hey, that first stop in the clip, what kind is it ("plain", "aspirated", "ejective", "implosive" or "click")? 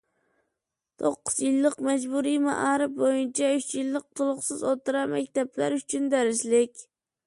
aspirated